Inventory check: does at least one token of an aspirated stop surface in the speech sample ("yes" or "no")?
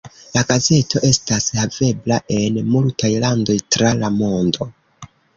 no